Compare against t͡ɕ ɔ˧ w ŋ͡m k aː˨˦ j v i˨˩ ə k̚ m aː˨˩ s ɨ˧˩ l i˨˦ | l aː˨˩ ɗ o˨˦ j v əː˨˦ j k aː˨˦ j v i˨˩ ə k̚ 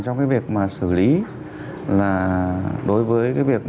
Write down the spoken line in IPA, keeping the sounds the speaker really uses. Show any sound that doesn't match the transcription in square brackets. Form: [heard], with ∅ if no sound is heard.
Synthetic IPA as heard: t͡ɕ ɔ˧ w ŋ͡m k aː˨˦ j v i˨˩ ə k̚ m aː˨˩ s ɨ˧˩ l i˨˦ | l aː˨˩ ɗ o˨˦ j v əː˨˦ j k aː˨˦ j v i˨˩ ə k̚